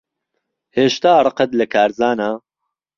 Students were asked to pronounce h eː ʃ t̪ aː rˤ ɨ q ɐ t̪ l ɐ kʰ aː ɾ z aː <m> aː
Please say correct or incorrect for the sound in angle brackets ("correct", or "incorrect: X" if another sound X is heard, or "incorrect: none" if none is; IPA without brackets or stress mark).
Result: incorrect: n